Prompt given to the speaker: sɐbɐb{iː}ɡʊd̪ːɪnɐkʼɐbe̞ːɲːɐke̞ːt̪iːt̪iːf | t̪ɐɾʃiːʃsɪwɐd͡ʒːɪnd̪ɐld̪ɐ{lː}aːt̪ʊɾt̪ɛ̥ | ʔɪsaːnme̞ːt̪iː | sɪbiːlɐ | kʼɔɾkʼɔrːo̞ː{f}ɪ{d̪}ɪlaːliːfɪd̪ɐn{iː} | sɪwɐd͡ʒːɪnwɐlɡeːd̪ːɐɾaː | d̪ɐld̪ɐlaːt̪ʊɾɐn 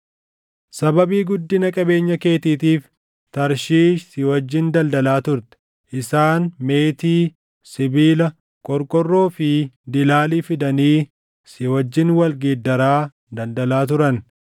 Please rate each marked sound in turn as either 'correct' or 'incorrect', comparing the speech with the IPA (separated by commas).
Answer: correct, incorrect, correct, correct, correct